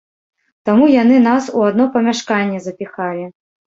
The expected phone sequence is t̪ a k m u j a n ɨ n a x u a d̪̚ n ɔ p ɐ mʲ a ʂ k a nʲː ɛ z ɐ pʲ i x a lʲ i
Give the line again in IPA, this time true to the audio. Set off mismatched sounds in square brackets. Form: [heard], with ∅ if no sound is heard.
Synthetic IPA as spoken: t̪ a [∅] m u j a n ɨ n a [s] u a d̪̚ n ɔ p ɐ mʲ a ʂ k a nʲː ɛ z ɐ pʲ i x a lʲ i